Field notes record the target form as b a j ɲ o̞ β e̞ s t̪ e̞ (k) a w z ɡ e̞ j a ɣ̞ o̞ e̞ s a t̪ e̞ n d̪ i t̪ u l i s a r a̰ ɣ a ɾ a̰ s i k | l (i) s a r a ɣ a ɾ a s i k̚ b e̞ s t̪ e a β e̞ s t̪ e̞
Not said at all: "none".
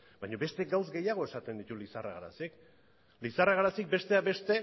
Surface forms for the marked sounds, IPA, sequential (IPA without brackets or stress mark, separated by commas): ɡ, i